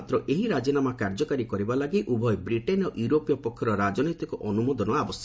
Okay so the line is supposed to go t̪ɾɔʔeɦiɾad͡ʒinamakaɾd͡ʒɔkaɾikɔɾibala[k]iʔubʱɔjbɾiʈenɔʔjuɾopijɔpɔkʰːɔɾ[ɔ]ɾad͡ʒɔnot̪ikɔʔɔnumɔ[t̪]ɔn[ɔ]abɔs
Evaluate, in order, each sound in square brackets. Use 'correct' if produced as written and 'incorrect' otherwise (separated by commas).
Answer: incorrect, correct, incorrect, correct